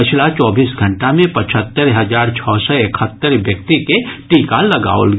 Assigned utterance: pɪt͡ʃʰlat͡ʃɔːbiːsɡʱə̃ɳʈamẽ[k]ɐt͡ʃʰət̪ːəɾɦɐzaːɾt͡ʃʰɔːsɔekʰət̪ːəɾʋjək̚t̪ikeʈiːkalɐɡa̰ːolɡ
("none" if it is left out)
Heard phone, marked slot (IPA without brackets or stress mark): p